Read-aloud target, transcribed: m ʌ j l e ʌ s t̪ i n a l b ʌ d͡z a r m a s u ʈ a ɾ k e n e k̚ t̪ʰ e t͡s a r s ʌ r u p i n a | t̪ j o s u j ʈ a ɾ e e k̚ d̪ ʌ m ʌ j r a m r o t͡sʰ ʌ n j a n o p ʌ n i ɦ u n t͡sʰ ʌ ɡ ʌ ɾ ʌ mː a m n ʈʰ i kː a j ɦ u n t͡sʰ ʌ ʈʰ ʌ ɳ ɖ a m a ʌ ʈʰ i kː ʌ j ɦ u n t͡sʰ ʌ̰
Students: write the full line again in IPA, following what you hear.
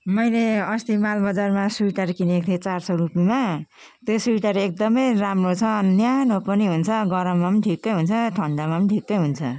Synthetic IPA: m ʌ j l e ʌ s t̪ i m a l b ʌ d͡z a r m a s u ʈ a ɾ k i n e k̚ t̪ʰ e t͡s a r s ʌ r u p i m a | t̪ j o s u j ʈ a ɾ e e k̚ d̪ ʌ m ʌ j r a m r o t͡sʰ ʌ n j a n o p ʌ n i ɦ u n t͡sʰ ʌ ɡ ʌ ɾ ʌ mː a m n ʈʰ i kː ʌ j ɦ u n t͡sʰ ʌ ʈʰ ʌ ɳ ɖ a m a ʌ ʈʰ i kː ʌ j ɦ u n t͡sʰ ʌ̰

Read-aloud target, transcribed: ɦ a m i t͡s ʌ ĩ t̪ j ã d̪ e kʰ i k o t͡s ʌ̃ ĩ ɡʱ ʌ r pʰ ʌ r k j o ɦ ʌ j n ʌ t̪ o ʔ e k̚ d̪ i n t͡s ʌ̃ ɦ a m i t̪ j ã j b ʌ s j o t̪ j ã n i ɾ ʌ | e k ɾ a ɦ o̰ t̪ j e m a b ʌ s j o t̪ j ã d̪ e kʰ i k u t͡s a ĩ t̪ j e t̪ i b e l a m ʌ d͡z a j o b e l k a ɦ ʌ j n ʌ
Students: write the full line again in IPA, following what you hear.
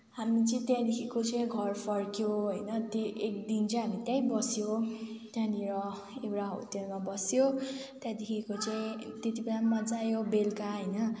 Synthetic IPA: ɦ a m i t͡s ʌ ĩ t̪ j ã d̪ e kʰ i k o t͡s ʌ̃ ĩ ɡʱ ʌ r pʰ ʌ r k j o ɦ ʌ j n ʌ t̪ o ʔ e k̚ d̪ i n t͡s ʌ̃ ɦ a m i t̪ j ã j b ʌ s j o t̪ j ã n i ɾ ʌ | e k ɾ a ɦ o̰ t̪ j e m a b ʌ s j o t̪ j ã d̪ e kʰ i k o t͡s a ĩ t̪ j e t̪ i b e l a m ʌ d͡z a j o b e l k a ɦ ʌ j n ʌ

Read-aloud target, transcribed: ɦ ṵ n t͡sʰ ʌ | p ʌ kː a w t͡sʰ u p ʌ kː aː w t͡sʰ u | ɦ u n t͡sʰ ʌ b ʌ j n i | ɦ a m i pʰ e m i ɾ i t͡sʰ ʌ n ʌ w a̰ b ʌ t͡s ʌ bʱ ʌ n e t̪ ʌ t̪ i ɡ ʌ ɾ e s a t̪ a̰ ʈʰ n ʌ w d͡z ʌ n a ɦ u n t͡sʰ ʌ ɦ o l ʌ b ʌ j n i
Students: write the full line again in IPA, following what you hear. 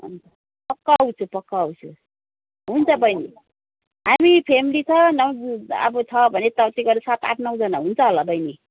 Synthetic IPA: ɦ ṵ n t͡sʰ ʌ | p ʌ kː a w t͡sʰ u p ʌ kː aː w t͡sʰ u | ɦ u n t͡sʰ ʌ b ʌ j n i | ɦ a m i pʰ e m i l i t͡sʰ ʌ n ʌ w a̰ b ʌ t͡sʰ ʌ bʱ ʌ n e t̪ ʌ t̪ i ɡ ʌ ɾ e s a t̪ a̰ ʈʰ n ʌ w d͡z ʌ n a ɦ u n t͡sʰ ʌ ɦ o l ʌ b ʌ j n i

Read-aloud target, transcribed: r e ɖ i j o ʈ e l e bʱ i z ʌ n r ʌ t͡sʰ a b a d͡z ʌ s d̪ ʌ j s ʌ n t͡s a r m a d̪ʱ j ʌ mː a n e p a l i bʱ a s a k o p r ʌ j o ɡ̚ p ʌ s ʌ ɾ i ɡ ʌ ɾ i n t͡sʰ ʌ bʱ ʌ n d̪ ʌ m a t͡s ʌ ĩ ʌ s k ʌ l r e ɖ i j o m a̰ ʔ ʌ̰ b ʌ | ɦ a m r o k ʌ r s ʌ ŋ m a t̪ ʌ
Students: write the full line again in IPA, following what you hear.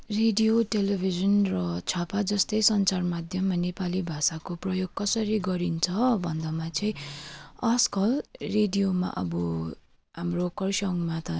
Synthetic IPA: r e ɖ i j o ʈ e l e bʱ i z ʌ n r ʌ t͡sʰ a p a d͡z ʌ s t̪ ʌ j s ʌ n t͡s a r m a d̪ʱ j ʌ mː a n e p a l i bʱ a s a k o p r ʌ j o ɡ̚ k ʌ s ʌ ɾ i ɡ ʌ ɾ i n t͡sʰ ʌ bʱ ʌ n d̪ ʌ m a t͡s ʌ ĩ ʌ s k ʌ l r e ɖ i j o m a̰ ʔ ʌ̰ b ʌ | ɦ a m r o k ʌ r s ʌ ŋ m a t̪ ʌ

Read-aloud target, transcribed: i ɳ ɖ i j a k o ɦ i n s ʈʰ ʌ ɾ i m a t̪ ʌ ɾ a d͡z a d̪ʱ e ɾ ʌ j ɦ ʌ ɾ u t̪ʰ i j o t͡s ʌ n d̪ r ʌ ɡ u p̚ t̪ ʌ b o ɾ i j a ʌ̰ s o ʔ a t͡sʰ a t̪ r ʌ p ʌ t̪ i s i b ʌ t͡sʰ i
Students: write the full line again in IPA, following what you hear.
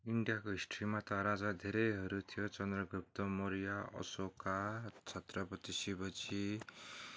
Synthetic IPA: i ɳ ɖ i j a k o ɦ i s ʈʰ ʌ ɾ i m a t̪ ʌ ɾ a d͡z a d̪ʱ e ɾ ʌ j ɦ ʌ ɾ u t̪ʰ i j o t͡s ʌ n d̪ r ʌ ɡ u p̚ t̪ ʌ m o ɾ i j a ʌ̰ s o k a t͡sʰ ʌ t̪ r ʌ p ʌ t̪ i s i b ʌ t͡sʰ i

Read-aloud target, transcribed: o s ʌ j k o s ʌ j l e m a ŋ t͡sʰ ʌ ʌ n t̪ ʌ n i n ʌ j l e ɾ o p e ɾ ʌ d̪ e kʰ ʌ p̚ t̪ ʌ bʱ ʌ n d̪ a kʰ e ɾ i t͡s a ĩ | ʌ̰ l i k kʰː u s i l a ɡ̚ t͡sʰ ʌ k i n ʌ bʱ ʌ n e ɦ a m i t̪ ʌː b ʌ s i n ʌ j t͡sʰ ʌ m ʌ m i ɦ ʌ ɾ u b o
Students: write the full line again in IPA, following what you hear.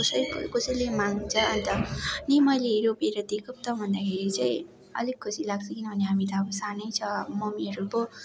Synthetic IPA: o s ʌ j k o s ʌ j l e m a ŋ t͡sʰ ʌ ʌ n t̪ ʌ n i m ʌ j l e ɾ o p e ɾ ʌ d̪ e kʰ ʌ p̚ t̪ ʌ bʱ ʌ n d̪ a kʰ e ɾ i t͡s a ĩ | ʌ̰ l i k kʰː u s i l a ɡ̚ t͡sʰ ʌ k i n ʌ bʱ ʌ n e ɦ a m i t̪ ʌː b ʌ s a n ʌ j t͡sʰ ʌ m ʌ m i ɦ ʌ ɾ u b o

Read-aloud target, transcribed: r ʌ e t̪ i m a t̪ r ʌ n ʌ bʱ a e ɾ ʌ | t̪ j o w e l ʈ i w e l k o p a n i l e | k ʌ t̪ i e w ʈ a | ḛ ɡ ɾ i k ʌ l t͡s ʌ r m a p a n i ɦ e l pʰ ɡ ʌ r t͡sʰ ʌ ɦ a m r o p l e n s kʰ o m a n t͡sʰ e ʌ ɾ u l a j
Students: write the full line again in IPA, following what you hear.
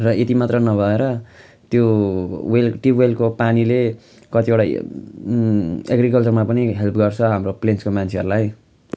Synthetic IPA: r ʌ e t̪ i m a t̪ r ʌ n ʌ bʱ ʌ e ɾ ʌ | t̪ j o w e l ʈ i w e l k o p a n i l e | k ʌ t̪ i e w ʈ a | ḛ ɡ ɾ i k ʌ l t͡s ʌ r m a p ʌ n i ɦ e l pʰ ɡ ʌ r t͡sʰ ʌ ɦ a m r o p l e n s k o m a n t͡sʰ e ʌ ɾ u l a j

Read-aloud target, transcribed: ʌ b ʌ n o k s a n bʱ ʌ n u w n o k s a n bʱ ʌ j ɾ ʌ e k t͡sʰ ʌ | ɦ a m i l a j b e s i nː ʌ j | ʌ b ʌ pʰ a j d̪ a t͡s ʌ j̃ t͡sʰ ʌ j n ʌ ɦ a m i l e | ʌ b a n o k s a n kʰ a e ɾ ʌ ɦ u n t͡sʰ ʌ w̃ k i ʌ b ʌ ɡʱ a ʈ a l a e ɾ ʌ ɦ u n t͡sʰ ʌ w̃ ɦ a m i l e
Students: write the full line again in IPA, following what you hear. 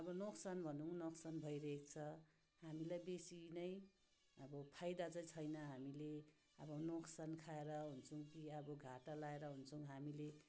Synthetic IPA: ʌ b ʌ n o k s a n bʱ ʌ n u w n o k s a n bʱ ʌ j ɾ ʌ e k t͡sʰ ʌ | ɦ a m i l a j b e s i n ʌ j | ʌ b ʌ pʰ a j d̪ a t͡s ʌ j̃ t͡sʰ ʌ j n ʌ ɦ a m i l e | ʌ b ʌ n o k s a n kʰ a e ɾ ʌ ɦ u n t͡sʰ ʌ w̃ k i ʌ b ʌ ɡʱ a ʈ a l a e ɾ ʌ ɦ u n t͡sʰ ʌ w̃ ɦ a m i l e

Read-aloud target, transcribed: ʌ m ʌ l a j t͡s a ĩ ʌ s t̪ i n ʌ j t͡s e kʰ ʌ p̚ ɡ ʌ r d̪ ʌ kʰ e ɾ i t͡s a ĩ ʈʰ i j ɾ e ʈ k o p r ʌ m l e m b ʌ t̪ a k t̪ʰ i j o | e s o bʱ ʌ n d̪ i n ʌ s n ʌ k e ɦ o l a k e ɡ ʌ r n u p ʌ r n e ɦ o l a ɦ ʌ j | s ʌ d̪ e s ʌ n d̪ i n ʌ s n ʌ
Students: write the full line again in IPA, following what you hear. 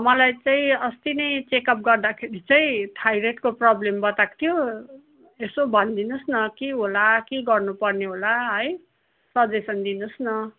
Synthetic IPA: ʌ m ʌ l a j t͡s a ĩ ʌ s t̪ i n ʌ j t͡s e k ʌ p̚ ɡ ʌ r d̪ a kʰ e ɾ i t͡s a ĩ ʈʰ a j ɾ e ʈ k o p r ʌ b l e m b ʌ t̪ a k t̪ʰ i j o | e s o bʱ ʌ n d̪ i n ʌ s n ʌ k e ɦ o l a k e ɡ ʌ r n u p ʌ r n e ɦ o l a ɦ ʌ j | s ʌ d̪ e s ʌ n d̪ i n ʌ s n ʌ

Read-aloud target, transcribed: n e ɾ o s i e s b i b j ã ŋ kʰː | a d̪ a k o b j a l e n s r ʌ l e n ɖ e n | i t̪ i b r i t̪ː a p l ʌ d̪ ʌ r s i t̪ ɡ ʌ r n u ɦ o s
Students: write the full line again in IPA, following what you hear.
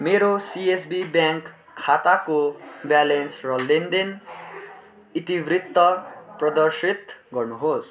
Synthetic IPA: m e ɾ o s i e s b i b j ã ŋ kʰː | a t̪ a k o b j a l e n s r ʌ l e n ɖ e n | i t̪ i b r i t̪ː ʌ p r ʌ d̪ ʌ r s i t̪ ɡ ʌ r n u ɦ o s

